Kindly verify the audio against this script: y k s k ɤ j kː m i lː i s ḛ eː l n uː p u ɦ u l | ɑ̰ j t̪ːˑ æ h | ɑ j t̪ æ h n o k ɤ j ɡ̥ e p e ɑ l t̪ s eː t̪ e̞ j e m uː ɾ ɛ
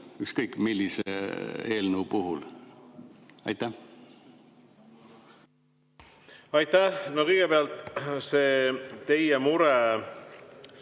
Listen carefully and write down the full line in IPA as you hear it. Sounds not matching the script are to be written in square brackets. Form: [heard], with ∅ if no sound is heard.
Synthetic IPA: y k s k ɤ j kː m i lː i s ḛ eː l n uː p u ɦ u l | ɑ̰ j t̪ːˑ æ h | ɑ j t̪ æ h n o k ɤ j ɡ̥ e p e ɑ l t̪ s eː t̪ e̞ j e m [u] ɾ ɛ